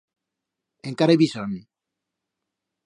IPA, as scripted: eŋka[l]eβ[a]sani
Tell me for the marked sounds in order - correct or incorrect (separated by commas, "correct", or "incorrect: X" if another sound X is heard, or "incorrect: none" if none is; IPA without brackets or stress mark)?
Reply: incorrect: ɾ, incorrect: i